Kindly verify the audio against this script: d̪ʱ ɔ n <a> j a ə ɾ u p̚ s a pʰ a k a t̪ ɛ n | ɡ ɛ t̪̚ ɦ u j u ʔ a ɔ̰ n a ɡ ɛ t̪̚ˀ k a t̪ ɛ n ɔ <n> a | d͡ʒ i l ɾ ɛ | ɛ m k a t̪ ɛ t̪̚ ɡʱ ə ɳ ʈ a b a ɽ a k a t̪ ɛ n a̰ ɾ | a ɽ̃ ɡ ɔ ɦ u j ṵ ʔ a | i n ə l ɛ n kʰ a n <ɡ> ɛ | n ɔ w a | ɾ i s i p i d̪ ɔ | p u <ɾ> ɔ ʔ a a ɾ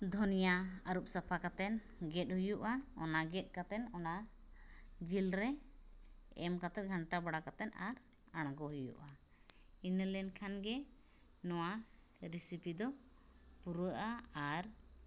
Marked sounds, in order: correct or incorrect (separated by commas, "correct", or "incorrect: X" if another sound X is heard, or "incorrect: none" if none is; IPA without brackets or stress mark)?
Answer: incorrect: i, correct, correct, correct